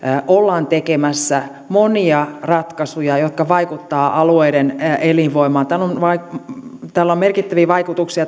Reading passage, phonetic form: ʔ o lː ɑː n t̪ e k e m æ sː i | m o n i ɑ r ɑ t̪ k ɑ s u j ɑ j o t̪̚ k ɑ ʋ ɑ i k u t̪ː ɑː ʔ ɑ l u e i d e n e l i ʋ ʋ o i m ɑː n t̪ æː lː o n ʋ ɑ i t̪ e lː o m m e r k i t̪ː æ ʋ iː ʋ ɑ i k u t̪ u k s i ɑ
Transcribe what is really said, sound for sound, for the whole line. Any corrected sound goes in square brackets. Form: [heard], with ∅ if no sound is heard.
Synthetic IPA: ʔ o lː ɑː n t̪ e k e m æ sː [æ] | m o n i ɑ r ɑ t̪ k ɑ s u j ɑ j o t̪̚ k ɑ ʋ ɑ i k u t̪ː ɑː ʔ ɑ l u e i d e n e l i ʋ ʋ o i m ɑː n t̪ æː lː o n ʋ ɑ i t̪ [æ] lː o m m e r k i t̪ː æ ʋ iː ʋ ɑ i k u t̪ u k s i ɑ